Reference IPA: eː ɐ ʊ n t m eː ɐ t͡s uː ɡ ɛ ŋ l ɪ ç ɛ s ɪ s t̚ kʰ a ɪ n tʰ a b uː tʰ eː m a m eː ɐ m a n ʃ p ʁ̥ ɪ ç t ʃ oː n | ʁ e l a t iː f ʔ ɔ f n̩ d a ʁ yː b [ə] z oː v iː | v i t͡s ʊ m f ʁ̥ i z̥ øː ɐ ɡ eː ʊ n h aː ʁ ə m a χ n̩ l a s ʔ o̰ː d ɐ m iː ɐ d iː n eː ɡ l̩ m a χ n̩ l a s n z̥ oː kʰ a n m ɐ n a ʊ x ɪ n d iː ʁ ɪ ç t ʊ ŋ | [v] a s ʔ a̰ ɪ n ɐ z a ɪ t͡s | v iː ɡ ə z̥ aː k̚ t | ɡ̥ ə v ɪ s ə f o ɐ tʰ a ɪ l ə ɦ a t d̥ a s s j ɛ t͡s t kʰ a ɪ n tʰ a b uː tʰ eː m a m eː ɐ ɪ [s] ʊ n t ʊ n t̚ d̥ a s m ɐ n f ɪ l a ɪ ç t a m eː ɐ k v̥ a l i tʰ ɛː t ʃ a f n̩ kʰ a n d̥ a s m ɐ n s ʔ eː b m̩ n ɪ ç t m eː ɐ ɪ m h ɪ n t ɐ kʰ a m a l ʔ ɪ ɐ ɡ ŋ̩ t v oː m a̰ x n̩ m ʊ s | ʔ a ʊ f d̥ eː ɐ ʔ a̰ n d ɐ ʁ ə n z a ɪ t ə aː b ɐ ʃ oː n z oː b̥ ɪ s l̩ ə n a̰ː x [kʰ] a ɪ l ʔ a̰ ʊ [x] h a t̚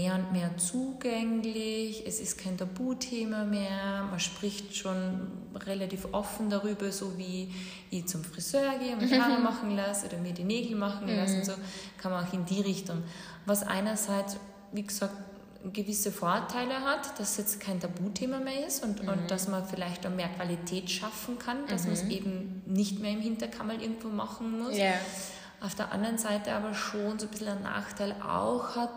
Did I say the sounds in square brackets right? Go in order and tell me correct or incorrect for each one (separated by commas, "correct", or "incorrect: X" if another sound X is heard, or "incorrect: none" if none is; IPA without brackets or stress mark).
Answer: incorrect: ɐ, correct, correct, incorrect: tʰ, correct